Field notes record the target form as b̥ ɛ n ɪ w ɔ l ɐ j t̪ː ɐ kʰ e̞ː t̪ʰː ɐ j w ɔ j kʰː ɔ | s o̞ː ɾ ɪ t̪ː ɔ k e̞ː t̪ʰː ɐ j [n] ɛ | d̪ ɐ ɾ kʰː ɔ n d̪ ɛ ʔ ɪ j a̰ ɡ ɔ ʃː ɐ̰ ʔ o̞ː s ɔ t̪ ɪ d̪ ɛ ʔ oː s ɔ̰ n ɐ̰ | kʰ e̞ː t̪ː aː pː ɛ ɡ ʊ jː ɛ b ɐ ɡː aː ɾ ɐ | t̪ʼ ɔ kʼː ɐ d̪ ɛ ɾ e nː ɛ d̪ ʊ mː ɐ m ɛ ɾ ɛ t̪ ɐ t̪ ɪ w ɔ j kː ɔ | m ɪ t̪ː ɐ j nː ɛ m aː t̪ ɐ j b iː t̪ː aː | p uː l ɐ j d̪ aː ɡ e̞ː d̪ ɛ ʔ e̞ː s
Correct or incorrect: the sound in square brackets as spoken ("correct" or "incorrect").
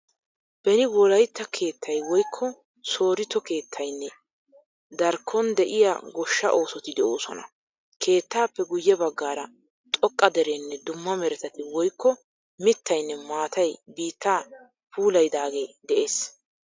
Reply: incorrect